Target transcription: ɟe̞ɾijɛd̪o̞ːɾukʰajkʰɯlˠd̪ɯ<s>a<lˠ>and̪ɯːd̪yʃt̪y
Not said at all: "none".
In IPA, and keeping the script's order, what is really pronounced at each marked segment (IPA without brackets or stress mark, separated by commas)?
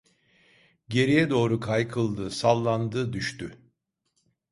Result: s, lˠː